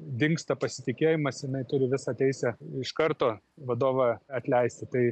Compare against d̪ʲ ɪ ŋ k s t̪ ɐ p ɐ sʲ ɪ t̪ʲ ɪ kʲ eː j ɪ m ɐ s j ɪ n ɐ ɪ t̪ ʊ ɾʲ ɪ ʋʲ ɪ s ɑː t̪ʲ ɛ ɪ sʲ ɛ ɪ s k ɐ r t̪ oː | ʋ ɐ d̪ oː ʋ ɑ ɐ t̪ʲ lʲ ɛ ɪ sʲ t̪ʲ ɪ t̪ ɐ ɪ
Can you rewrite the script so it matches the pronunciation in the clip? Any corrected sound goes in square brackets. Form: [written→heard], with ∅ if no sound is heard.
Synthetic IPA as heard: d̪ʲ ɪ ŋ k s t̪ ɐ p ɐ sʲ ɪ t̪ʲ ɪ kʲ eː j ɪ m ɐ s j ɪ n ɐ ɪ t̪ ʊ ɾʲ ɪ ʋʲ ɪ s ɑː t̪ʲ ɛ ɪ sʲ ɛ ɪ [s→ʃ] k ɐ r t̪ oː | ʋ ɐ d̪ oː ʋ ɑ ɐ t̪ʲ lʲ ɛ ɪ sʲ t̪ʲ ɪ t̪ ɐ ɪ